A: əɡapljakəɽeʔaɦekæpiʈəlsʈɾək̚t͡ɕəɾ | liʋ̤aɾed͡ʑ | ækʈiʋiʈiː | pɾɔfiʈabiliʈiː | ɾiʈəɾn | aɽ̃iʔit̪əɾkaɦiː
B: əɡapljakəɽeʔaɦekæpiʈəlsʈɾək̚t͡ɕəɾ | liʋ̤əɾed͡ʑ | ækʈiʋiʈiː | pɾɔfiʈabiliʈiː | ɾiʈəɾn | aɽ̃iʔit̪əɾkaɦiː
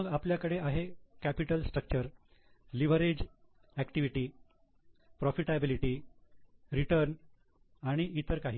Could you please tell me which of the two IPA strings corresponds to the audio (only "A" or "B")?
B